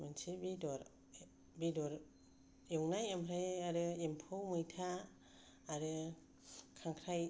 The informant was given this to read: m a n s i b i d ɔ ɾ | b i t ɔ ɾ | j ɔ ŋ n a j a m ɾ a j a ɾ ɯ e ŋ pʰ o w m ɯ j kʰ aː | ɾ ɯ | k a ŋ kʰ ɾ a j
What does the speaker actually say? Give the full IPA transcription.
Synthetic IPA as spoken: m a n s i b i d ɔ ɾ | b i d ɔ ɾ | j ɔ ŋ n a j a m ɾ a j a ɾ ɯ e m pʰ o w m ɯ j tʰ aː | ɾ ɯ | kʰ a ŋ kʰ ɾ a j